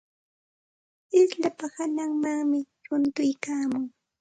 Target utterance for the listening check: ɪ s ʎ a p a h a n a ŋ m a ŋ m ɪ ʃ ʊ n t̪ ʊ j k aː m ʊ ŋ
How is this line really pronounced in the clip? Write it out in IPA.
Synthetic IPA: ɪ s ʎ a p a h a n a ŋ m a ŋ m ɪ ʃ ʊ n t̪ ʊ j k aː m ʊ ŋ

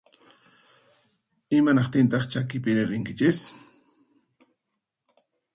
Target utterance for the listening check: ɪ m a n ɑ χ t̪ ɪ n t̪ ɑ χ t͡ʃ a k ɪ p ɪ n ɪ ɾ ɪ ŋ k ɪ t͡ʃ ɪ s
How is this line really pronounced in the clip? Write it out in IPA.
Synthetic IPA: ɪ m a n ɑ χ t̪ ɪ n t̪ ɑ χ t͡ʃ a k ɪ p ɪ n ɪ ɾ ɪ ŋ k ɪ t͡ʃ ɪ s

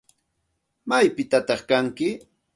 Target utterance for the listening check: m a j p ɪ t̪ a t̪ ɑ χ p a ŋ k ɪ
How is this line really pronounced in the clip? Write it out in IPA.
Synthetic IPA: m a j p ɪ t̪ a t̪ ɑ χ k a ŋ k ɪ

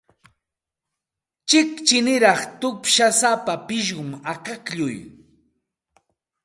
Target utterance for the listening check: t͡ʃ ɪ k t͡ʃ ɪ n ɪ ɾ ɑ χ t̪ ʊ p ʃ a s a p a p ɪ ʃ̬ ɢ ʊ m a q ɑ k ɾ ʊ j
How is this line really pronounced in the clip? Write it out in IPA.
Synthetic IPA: t͡ʃ ɪ k t͡ʃ ɪ n ɪ ɾ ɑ χ t̪ ʊ p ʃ a s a p a p ɪ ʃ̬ ɢ ʊ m a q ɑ k ʎ ʊ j

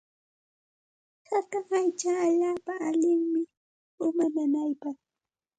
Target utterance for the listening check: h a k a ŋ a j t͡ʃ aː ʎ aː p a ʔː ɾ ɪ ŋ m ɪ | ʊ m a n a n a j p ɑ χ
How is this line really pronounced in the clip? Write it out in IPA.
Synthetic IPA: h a k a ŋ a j t͡ʃ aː ʎ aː p a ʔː ʎ ɪ ŋ m ɪ | ʊ m a n a n a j p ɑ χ

